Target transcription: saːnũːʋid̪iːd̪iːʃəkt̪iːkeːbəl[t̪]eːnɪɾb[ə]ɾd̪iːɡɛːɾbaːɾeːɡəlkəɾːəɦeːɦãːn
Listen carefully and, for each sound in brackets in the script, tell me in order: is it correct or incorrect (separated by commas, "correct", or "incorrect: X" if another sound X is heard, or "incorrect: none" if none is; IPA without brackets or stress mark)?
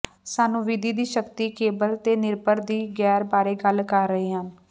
correct, correct